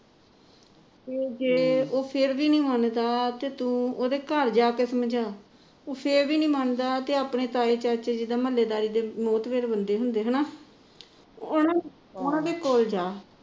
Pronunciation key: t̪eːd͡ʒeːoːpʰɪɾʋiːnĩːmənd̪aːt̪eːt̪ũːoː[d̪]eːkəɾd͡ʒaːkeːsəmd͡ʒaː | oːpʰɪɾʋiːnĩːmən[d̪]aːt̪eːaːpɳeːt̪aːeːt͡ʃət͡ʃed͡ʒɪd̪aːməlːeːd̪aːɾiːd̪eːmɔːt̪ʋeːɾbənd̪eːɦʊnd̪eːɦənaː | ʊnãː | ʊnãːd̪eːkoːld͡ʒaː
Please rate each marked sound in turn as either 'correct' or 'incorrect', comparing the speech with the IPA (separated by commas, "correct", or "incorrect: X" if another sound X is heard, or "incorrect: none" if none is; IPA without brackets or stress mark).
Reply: correct, correct